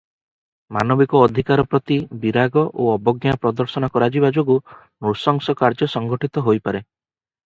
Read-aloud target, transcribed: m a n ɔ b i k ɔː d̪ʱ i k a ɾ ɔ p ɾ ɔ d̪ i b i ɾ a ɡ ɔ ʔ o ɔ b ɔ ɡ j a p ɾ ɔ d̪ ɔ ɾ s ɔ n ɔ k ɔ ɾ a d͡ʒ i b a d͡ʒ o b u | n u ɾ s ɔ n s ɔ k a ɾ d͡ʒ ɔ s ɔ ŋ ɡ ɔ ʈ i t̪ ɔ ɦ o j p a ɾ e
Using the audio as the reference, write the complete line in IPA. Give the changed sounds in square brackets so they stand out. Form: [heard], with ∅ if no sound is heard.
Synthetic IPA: m a n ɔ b i k ɔː d̪ʱ i k a ɾ ɔ p ɾ ɔ [t̪] i b i ɾ a ɡ ɔ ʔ o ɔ b ɔ ɡ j a p ɾ ɔ d̪ ɔ ɾ s ɔ n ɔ k ɔ ɾ a d͡ʒ i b a d͡ʒ o [ɡ] u | n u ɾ s ɔ [ŋ] s ɔ k a ɾ d͡ʒ ɔ s ɔ ŋ ɡ ɔ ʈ i t̪ ɔ ɦ o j p a ɾ e